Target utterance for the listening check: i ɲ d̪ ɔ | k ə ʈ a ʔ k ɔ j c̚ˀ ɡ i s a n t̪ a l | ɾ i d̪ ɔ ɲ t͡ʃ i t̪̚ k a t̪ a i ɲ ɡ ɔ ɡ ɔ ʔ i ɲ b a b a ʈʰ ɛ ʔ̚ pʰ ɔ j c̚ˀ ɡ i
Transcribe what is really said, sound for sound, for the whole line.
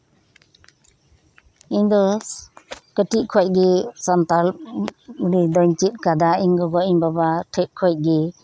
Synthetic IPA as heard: i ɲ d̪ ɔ | k ə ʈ i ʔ kʰ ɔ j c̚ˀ ɡ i s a n t̪ a l | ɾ i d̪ ɔ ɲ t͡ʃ i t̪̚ k a d̪ a i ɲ ɡ ɔ ɡ ɔ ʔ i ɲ b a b a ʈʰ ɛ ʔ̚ kʰ ɔ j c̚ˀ ɡ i